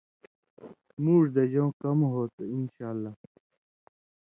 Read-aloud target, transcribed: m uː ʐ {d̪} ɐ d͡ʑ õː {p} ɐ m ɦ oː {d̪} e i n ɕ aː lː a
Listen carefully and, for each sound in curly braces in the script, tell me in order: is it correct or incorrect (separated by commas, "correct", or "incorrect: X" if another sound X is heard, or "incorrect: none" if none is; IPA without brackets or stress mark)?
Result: correct, incorrect: k, incorrect: t̪